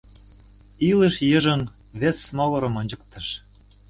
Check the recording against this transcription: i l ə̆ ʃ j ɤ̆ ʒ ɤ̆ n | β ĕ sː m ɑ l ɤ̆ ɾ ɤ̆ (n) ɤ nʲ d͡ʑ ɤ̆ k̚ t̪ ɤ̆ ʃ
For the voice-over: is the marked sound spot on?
no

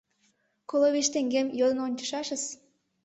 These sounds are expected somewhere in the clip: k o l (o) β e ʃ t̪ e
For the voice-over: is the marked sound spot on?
yes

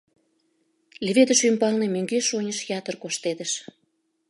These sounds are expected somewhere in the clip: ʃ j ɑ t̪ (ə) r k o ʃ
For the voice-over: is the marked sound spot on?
yes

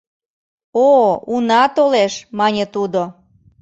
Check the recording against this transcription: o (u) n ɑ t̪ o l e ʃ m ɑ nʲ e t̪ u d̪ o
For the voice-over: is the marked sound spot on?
yes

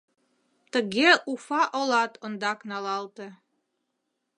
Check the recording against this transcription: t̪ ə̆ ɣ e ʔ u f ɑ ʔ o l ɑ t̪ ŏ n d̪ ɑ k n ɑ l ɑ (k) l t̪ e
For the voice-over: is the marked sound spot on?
no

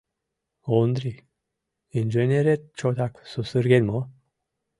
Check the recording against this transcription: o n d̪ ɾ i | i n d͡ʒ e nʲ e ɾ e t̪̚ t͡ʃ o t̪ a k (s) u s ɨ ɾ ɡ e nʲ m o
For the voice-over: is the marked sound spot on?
yes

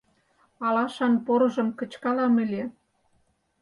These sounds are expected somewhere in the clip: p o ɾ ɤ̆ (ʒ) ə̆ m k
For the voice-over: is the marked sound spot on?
yes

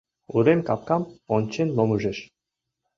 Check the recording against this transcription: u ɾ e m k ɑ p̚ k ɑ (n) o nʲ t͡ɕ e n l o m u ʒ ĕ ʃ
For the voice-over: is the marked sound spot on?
no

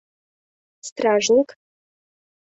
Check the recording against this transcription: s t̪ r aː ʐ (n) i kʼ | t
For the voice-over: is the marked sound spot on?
yes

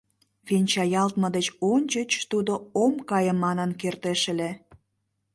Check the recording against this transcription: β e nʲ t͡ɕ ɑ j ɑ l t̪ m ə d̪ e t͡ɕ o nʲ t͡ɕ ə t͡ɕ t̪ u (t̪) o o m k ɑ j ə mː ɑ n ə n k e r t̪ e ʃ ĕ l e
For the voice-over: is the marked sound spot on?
no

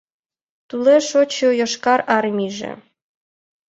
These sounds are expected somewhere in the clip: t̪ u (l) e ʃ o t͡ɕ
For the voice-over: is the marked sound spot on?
yes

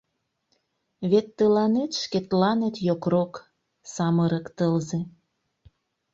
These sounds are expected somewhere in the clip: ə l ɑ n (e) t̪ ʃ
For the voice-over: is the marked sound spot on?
yes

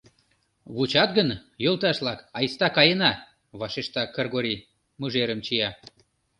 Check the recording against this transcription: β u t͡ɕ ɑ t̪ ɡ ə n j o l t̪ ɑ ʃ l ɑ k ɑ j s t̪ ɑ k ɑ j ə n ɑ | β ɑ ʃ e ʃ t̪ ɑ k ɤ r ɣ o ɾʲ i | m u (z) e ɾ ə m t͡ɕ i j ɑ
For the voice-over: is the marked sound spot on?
no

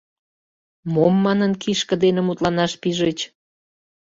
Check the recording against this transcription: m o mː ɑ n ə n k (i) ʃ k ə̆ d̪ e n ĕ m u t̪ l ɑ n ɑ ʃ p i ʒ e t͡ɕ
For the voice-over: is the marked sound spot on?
yes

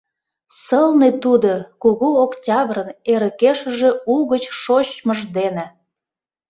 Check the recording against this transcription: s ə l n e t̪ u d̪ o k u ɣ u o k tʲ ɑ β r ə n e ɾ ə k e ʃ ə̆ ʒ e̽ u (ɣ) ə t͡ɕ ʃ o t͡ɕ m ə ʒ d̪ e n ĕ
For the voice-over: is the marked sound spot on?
yes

